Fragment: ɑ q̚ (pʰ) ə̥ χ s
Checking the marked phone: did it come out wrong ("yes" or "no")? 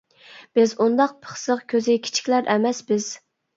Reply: no